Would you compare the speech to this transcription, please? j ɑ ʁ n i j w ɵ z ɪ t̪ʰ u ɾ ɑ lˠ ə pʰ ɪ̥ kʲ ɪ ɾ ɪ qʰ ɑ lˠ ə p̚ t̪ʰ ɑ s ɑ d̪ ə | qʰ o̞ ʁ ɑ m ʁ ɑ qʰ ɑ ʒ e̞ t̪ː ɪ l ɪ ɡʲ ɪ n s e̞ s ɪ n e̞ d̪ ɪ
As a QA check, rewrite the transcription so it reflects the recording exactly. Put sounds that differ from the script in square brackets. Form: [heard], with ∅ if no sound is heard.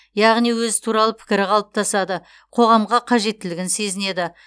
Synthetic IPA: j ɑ ʁ n i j w ɵ z ɪ t̪ʰ u ɾ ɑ lˠ ə pʰ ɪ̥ kʲ ɪ ɾ ɪ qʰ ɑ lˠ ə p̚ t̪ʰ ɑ s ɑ d̪ ə | qʰ o̞ ʁ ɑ m ʁ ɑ qʰ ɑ ʒ e̞ t̪ː ɪ l ɪ ɡʲ ɪ n s e̞ [z] ɪ n e̞ d̪ ɪ